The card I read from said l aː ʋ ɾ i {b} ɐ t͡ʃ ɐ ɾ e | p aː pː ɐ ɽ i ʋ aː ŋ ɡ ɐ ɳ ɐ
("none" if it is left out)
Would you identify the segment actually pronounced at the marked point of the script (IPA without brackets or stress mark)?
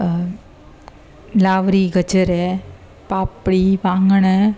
ɡ